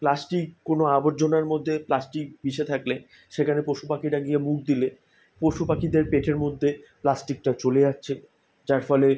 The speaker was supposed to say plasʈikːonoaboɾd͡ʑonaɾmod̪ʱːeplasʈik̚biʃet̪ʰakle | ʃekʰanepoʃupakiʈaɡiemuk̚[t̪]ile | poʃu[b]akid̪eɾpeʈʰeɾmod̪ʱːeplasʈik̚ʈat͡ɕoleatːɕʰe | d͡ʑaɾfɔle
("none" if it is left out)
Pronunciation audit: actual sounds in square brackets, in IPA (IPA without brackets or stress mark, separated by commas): d̪, p